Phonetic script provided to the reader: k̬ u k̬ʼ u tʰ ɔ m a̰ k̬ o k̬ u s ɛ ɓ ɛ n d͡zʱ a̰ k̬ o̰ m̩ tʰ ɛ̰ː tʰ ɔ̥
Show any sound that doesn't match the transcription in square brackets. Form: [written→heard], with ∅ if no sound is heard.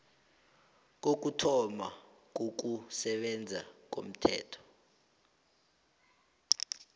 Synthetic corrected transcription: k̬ [u→o] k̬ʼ u tʰ ɔ m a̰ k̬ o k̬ u s ɛ ɓ ɛ n d͡zʱ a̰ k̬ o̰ m̩ tʰ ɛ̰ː tʰ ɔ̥